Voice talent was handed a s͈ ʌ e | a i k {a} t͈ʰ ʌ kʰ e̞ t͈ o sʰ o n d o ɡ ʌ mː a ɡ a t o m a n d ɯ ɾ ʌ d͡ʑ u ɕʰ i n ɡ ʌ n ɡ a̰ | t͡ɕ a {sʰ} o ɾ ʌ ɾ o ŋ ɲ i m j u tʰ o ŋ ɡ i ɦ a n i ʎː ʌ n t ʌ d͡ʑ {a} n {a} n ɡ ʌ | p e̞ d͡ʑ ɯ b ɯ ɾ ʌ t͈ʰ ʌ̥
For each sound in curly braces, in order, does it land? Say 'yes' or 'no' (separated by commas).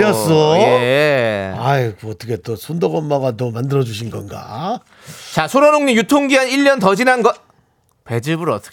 no, yes, no, yes